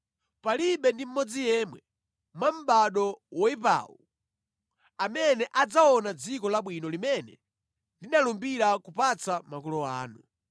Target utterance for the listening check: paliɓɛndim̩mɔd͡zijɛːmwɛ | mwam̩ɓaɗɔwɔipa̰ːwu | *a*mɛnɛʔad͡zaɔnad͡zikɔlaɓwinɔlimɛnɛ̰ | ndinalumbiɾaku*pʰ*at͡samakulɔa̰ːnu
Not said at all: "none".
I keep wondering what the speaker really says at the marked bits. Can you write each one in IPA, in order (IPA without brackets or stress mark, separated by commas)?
a, p